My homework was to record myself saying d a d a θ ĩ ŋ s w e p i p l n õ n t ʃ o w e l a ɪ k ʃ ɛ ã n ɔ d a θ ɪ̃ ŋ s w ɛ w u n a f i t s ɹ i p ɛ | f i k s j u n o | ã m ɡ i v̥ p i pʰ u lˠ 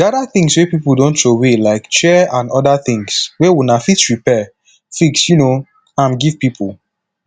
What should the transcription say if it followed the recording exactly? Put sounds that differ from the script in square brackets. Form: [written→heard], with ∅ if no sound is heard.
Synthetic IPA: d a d a θ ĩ ŋ s w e p i p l [n→d] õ n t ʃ o w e l a ɪ k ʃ ɛ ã n ɔ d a θ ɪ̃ ŋ s w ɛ w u n a f i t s ɹ i p ɛ | f i k s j u n o | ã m ɡ i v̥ p i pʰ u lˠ